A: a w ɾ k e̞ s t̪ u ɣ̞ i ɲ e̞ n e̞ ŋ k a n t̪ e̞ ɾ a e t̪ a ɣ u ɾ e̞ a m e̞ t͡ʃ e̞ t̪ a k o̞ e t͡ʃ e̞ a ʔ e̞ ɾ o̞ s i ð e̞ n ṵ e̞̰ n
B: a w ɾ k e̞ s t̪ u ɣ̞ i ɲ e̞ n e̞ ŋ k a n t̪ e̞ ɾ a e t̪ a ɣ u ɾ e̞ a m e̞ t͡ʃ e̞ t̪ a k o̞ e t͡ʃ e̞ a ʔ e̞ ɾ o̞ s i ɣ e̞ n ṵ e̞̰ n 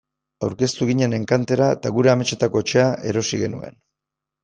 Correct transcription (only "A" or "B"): B